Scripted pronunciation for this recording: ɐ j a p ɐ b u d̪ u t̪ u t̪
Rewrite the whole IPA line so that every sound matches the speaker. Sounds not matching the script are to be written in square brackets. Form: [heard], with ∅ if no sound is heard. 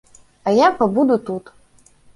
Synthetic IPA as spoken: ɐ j a p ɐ b u d̪ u t̪ u t̪